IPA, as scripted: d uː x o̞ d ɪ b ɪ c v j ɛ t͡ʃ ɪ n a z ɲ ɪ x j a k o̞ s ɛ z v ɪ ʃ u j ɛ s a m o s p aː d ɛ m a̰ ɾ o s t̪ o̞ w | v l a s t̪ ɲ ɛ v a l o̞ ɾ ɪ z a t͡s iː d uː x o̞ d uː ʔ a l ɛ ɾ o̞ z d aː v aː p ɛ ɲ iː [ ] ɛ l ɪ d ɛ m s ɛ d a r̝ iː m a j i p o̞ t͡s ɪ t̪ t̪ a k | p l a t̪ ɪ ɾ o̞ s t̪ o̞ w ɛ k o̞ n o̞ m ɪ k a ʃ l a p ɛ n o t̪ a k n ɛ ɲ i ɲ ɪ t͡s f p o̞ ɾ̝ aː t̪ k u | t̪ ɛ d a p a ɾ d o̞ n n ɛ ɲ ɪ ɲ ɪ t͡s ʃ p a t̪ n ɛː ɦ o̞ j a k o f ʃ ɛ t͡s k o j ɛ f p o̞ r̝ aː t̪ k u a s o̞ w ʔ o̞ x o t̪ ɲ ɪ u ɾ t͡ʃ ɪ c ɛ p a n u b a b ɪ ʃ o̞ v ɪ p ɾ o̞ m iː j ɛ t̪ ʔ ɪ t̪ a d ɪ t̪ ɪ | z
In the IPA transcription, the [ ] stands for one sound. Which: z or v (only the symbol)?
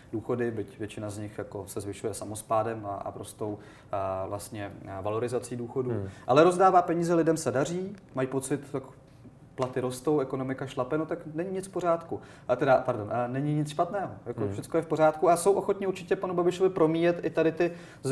z